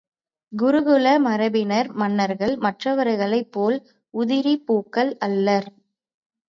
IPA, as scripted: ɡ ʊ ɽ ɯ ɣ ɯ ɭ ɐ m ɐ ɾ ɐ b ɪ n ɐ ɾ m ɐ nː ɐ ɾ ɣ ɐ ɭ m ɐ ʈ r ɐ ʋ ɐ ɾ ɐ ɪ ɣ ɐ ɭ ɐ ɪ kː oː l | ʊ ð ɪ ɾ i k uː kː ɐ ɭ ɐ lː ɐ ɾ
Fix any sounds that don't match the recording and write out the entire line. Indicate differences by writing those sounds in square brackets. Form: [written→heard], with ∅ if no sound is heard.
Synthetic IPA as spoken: ɡ ʊ [ɽ→ɾ] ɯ ɣ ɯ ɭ ɐ m ɐ ɾ ɐ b ɪ n ɐ ɾ m ɐ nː ɐ ɾ ɣ ɐ ɭ m ɐ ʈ r ɐ ʋ ɐ ɾ ɐ ɪ ɣ ɐ ɭ ɐ ɪ [kː→pː] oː l | ʊ ð ɪ ɾ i [k→p] uː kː ɐ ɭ ɐ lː ɐ ɾ